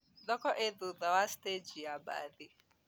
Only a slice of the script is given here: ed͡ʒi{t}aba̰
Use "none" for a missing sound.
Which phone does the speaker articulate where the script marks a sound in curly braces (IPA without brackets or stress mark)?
none